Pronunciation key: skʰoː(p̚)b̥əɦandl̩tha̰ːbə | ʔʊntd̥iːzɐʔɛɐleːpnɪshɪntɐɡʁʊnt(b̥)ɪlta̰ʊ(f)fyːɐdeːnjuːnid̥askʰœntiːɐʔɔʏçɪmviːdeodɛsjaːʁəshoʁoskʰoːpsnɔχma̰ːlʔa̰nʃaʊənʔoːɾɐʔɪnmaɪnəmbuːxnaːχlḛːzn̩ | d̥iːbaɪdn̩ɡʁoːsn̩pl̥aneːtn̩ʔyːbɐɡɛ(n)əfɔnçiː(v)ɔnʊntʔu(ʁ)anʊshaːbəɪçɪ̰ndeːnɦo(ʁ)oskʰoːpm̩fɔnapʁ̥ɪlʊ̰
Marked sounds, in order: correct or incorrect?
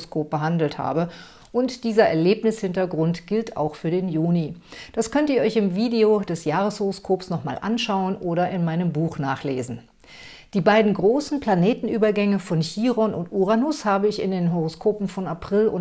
correct, incorrect: ɡ̥, incorrect: x, incorrect: ŋ, incorrect: ʁ, correct, correct

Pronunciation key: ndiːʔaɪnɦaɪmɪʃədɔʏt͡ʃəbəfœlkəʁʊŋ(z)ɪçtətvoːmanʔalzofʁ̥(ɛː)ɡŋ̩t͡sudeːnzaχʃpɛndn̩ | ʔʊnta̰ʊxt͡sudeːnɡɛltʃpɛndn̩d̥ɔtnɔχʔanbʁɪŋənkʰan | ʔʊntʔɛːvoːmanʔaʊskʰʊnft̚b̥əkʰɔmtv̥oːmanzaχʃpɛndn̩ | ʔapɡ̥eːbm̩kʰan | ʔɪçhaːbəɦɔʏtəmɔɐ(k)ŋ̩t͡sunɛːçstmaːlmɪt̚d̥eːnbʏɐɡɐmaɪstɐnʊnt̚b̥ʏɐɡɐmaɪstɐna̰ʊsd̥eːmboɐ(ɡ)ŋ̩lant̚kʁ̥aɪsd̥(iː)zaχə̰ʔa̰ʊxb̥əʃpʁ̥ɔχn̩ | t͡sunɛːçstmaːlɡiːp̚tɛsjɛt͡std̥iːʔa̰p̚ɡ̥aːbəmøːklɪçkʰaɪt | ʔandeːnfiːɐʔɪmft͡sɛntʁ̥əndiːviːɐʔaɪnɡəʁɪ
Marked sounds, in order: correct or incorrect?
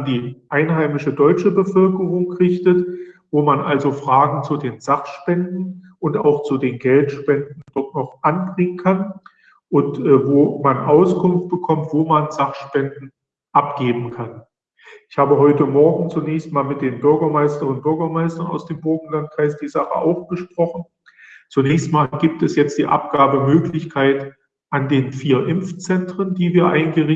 incorrect: ʁ, incorrect: aː, incorrect: ɡ, correct, correct

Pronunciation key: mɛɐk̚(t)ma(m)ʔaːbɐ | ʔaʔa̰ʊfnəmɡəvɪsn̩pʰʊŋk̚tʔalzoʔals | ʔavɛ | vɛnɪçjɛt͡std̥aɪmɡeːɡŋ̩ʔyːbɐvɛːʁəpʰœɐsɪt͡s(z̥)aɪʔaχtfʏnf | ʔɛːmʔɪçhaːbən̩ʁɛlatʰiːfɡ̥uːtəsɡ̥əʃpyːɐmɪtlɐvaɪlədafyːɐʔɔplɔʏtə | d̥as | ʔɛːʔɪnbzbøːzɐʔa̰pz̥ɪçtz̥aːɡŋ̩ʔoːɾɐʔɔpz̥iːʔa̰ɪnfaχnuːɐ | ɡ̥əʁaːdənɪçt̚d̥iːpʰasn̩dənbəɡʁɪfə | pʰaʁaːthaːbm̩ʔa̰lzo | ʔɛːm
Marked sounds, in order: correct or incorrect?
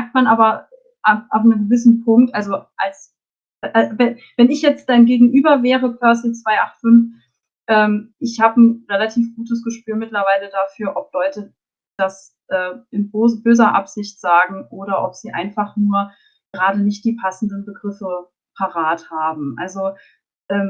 correct, incorrect: n, incorrect: v̥

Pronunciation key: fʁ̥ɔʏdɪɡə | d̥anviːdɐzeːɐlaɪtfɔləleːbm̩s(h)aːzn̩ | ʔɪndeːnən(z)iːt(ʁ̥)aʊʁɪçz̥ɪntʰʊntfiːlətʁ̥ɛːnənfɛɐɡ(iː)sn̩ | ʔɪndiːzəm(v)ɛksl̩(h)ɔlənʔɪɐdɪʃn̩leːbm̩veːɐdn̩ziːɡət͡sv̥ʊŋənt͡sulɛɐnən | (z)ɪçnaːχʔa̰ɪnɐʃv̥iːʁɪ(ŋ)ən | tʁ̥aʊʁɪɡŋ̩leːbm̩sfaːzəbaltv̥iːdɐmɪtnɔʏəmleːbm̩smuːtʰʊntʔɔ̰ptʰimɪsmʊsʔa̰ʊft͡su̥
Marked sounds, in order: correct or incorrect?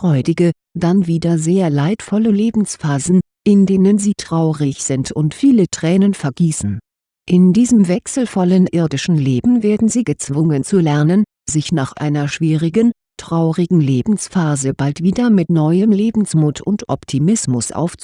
incorrect: f, correct, correct, correct, correct, incorrect: f, correct, incorrect: ɡ

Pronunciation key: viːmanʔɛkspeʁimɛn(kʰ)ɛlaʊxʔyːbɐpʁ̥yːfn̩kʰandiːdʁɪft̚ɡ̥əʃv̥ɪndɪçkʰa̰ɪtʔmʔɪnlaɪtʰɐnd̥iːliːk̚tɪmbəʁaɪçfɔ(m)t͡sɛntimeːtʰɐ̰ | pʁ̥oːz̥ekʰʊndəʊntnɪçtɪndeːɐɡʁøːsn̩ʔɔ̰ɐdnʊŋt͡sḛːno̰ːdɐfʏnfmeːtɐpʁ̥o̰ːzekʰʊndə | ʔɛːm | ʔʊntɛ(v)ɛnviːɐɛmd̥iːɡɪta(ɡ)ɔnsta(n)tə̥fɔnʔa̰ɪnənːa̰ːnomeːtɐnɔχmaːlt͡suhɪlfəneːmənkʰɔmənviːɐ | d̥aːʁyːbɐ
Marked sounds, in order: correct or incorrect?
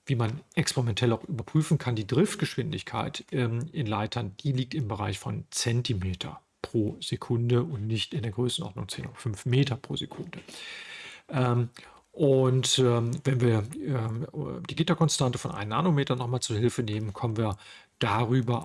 incorrect: tʰ, incorrect: n, correct, incorrect: k, correct

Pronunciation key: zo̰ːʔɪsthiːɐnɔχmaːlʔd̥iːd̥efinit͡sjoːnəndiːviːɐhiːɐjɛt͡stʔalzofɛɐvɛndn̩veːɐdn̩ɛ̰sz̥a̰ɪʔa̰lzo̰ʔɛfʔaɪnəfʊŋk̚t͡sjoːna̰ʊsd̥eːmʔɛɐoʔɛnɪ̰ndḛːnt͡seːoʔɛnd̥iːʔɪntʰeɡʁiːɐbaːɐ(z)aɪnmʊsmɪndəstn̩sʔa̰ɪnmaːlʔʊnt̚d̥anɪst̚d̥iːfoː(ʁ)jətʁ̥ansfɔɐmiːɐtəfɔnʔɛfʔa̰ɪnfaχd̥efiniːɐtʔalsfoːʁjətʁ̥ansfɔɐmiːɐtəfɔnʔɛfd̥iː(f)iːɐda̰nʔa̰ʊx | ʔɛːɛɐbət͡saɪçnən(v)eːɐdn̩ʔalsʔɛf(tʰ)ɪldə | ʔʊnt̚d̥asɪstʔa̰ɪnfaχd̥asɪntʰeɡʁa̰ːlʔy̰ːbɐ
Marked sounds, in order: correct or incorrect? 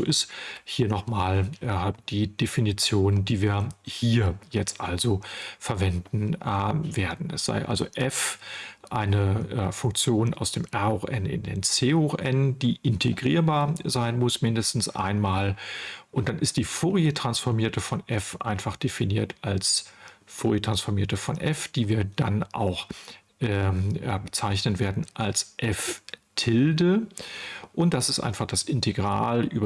correct, correct, incorrect: v, correct, correct

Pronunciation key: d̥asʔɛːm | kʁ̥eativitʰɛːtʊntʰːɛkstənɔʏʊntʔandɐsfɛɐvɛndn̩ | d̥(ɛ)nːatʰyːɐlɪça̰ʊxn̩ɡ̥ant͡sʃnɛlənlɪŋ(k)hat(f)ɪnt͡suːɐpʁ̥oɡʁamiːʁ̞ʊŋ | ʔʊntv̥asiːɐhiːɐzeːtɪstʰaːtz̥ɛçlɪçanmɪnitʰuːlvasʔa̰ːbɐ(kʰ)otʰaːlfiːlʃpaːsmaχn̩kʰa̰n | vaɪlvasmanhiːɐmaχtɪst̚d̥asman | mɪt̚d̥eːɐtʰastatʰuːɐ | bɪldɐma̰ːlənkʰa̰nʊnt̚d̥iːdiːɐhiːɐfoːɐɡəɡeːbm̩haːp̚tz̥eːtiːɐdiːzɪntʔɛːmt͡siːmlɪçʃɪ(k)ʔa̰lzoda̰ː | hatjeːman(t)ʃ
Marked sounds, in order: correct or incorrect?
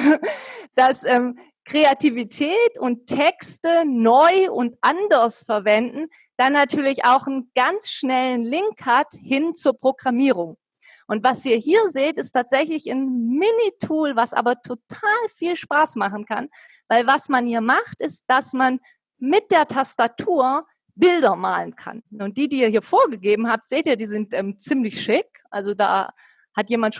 incorrect: a, correct, incorrect: h, incorrect: tʰ, correct, correct

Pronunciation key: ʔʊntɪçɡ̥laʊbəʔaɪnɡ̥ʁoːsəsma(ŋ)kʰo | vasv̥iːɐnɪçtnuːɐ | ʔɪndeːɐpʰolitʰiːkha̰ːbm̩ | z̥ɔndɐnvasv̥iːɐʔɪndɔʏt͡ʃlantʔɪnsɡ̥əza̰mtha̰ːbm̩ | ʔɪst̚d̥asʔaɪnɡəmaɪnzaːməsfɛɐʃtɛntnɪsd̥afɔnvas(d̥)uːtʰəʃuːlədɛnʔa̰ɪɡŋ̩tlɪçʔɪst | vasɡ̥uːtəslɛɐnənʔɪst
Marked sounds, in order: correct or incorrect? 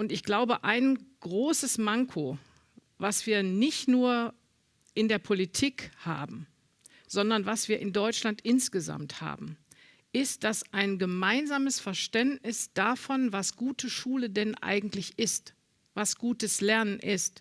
correct, incorrect: ɡ̥

